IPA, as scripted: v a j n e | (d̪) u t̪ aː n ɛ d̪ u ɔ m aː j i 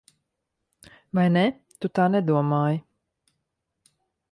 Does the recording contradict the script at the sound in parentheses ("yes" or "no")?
yes